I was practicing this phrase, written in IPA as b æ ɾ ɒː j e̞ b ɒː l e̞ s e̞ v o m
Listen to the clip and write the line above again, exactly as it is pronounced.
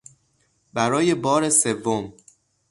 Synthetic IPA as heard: b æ ɾ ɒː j e̞ b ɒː ɾ e̞ s e̞ vː o m